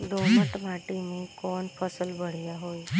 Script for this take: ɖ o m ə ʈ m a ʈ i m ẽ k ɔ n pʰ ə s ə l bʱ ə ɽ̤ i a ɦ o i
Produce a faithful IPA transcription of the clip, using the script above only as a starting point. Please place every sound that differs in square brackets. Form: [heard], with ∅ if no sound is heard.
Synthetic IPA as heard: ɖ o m ə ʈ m a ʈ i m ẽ k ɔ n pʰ ə s ə l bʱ ə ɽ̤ [j] a ɦ o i